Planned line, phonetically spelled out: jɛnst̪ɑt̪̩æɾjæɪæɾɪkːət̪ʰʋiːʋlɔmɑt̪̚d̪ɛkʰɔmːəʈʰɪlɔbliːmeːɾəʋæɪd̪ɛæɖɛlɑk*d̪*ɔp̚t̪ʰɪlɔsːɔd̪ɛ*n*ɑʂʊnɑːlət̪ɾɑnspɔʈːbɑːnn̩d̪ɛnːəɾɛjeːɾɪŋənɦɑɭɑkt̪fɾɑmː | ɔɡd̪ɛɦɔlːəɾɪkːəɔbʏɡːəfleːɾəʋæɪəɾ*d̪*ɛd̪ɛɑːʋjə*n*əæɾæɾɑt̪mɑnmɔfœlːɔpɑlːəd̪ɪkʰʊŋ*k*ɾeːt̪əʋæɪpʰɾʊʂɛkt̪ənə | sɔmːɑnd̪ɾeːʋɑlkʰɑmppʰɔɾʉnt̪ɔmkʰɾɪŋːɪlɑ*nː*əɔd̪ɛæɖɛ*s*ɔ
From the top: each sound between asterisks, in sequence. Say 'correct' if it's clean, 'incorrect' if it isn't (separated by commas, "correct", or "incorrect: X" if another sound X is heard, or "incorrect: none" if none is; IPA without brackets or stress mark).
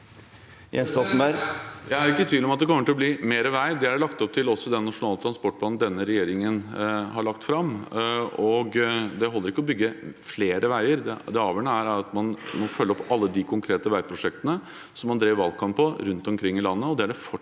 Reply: incorrect: t̪, incorrect: nː, correct, incorrect: ɳ, incorrect: kʰ, correct, incorrect: f